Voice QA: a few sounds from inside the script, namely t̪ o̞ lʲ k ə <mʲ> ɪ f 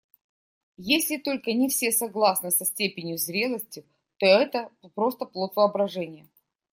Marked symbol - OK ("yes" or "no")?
no